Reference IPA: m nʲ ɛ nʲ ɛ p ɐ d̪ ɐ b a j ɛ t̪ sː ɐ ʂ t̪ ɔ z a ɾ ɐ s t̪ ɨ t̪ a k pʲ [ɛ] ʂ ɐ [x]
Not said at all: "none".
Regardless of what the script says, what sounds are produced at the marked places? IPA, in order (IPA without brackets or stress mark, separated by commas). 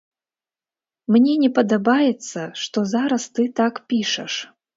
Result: i, ʂ